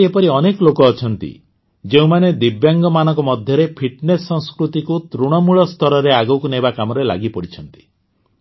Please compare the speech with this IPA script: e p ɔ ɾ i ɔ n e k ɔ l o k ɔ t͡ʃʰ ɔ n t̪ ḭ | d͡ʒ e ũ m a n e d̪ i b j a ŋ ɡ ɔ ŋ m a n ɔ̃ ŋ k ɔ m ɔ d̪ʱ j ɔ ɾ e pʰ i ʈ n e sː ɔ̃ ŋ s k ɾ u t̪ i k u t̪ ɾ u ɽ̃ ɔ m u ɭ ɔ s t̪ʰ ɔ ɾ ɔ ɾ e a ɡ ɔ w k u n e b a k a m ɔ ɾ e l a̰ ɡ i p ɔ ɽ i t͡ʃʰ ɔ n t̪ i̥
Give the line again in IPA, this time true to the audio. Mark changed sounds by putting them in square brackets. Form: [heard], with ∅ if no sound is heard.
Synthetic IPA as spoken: e p ɔ ɾ i ɔ n e k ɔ l o k [ɔː] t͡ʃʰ ɔ n t̪ ḭ | d͡ʒ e ũ m a n e d̪ i b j a ŋ ɡ ɔ [∅] m a n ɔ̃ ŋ k ɔ m ɔ d̪ʱ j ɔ ɾ e pʰ i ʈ n e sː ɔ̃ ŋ s k ɾ u t̪ i k u t̪ ɾ u ɽ̃ ɔ m u ɭ ɔ s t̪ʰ ɔ ɾ ɔ ɾ e a ɡ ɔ w k u n e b a k a m ɔ ɾ e l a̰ ɡ i p ɔ ɽ i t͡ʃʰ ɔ n t̪ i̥